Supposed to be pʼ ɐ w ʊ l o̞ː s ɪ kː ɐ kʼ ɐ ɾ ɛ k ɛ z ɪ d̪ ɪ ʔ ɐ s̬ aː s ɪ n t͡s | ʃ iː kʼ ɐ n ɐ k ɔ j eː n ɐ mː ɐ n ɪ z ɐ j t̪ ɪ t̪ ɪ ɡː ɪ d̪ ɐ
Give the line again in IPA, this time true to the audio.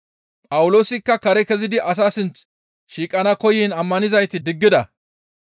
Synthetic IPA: pʼ ɐ w ʊ l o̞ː s ɪ kː ɐ k ɐ ɾ ɛ k ɛ z ɪ d̪ ɪ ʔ ɐ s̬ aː s ɪ n t͡s | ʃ iː kʼ ɐ n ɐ k ɔ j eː n ɐ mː ɐ n ɪ z ɐ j t̪ ɪ d̪ ɪ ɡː ɪ d̪ ɐ